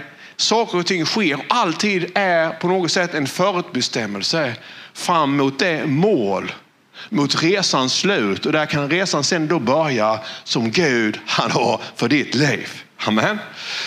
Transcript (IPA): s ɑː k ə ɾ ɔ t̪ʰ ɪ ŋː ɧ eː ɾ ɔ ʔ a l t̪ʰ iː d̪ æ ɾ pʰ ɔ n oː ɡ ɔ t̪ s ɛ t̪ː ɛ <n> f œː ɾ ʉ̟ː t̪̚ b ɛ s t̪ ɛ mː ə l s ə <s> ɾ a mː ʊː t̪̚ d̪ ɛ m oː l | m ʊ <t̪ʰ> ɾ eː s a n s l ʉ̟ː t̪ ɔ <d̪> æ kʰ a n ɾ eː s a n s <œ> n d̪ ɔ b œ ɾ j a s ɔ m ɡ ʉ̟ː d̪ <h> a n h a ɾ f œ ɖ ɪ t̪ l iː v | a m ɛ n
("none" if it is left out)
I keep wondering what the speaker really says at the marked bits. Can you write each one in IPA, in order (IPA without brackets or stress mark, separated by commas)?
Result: n, f, t̪, d̪, ɛ, h